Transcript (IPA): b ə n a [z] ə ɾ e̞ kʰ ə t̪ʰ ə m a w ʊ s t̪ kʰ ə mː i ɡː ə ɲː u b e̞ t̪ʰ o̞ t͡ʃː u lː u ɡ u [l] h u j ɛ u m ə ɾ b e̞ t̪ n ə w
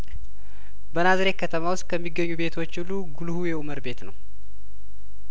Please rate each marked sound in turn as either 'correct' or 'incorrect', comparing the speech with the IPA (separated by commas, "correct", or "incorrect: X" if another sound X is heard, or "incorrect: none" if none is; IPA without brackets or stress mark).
correct, correct